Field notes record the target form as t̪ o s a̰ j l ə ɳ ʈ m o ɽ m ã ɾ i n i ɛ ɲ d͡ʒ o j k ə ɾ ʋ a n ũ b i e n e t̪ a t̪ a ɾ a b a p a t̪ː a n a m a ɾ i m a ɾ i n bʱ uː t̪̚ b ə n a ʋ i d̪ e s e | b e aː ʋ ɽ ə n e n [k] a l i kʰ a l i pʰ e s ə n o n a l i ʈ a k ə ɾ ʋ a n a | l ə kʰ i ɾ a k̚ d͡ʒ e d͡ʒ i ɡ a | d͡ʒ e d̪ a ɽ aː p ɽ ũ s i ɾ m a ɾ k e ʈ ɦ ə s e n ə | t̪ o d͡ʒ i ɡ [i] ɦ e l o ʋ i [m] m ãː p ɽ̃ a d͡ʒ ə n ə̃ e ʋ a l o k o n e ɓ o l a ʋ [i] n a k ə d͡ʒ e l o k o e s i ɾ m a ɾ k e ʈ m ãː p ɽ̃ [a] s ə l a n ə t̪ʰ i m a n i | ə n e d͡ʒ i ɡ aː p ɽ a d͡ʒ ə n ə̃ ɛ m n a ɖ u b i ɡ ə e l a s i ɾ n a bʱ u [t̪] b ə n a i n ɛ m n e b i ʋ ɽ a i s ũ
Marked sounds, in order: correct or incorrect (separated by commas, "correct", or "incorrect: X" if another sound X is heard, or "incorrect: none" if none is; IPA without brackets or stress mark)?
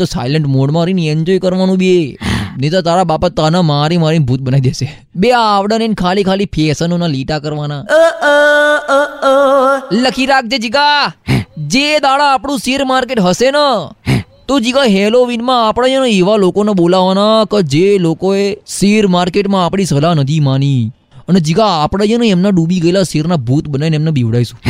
incorrect: kʰ, incorrect: a, incorrect: n, incorrect: a, incorrect: i, correct